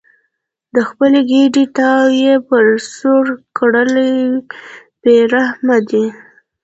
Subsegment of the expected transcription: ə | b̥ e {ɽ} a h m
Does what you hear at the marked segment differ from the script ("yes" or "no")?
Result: yes